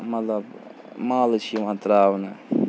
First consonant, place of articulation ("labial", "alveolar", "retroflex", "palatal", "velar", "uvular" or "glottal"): labial